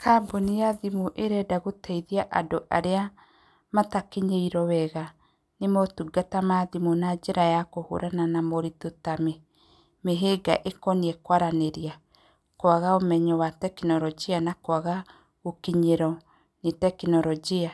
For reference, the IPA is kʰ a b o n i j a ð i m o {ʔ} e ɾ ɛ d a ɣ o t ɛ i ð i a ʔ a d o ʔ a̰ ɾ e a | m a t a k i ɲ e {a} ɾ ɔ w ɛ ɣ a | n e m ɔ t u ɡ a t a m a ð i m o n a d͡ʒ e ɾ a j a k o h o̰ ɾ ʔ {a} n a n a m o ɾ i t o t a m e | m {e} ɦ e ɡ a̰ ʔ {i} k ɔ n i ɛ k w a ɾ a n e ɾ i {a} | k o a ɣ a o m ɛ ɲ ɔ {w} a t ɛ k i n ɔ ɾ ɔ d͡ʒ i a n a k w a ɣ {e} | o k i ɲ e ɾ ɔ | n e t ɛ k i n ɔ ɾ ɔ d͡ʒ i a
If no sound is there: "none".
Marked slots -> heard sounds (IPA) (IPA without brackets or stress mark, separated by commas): ʔ, i, a, e, e, a, w, a